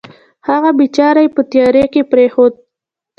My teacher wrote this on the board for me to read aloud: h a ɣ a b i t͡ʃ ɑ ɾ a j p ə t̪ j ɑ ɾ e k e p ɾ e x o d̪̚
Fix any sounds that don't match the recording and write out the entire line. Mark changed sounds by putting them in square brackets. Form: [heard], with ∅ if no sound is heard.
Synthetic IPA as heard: h a ɣ a b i t͡ʃ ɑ ɾ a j p ə t̪ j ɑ ɾ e k e p ɾ e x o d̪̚